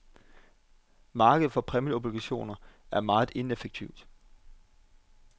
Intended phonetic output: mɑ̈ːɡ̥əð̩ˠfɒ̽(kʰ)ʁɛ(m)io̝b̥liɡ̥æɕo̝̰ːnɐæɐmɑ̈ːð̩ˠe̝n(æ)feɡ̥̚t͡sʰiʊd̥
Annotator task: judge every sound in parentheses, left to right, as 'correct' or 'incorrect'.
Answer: incorrect, correct, incorrect

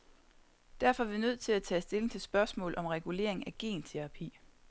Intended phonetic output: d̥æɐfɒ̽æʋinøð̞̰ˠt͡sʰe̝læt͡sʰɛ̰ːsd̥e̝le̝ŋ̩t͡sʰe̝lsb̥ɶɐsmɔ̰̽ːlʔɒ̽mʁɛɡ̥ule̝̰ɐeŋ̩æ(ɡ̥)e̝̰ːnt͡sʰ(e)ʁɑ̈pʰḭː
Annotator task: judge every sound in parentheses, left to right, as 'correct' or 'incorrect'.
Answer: correct, correct

